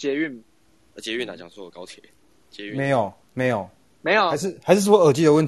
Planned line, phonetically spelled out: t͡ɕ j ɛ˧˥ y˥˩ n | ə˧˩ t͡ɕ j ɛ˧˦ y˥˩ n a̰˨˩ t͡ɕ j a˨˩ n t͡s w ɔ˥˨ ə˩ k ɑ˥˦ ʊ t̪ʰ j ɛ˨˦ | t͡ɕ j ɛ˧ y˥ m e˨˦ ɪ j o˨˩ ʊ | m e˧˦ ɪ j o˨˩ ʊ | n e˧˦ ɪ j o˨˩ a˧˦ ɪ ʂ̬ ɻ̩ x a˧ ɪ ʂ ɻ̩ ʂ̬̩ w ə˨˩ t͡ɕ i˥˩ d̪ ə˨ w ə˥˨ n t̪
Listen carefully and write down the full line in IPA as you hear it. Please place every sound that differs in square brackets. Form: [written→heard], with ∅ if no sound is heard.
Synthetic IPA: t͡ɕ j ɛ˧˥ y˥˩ n | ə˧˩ t͡ɕ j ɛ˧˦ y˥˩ n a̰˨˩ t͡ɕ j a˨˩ [n→ŋ] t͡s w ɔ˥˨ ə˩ k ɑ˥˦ ʊ t̪ʰ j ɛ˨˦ | t͡ɕ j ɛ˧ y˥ m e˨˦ ɪ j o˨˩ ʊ | m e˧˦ ɪ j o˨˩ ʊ | [n→m] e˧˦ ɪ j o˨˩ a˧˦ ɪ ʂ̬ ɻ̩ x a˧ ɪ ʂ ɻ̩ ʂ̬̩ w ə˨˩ t͡ɕ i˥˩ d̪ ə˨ w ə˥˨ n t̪